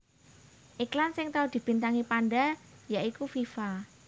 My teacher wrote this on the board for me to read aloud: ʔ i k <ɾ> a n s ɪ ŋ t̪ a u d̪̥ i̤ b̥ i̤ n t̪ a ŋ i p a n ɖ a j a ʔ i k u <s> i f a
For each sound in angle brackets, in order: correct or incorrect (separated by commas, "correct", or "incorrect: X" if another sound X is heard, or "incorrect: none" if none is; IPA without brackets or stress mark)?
incorrect: l, incorrect: f